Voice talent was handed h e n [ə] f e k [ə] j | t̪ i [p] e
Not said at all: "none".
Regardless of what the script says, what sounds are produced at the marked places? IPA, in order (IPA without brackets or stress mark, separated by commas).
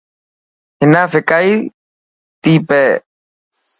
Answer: a, a, p